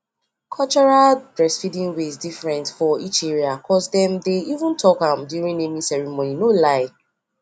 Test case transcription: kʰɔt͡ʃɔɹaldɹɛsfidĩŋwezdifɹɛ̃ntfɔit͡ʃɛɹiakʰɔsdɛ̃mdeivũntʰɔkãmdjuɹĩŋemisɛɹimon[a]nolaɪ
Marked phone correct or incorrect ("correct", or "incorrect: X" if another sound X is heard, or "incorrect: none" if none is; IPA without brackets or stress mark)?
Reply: incorrect: i